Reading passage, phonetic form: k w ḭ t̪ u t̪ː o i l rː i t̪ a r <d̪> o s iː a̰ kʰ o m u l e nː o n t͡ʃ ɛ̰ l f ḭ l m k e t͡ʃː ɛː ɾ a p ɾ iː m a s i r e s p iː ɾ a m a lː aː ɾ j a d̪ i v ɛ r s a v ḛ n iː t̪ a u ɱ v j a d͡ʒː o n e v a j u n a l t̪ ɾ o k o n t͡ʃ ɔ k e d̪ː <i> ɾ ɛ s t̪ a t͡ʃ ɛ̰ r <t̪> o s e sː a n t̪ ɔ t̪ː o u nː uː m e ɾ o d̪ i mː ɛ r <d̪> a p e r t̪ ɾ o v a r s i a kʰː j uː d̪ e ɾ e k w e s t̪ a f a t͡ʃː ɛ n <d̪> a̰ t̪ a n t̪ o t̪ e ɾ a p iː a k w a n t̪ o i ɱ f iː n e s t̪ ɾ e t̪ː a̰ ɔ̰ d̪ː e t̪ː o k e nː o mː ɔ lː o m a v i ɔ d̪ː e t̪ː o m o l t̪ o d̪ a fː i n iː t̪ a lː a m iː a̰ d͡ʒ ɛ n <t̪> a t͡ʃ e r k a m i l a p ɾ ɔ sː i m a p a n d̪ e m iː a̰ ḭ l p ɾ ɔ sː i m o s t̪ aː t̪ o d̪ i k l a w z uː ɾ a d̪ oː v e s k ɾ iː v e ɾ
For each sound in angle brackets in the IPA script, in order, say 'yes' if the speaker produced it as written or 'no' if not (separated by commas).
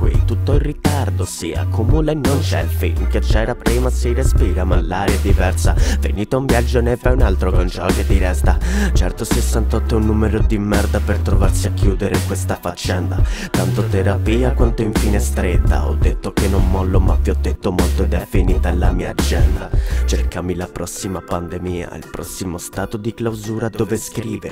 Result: yes, yes, yes, yes, yes, no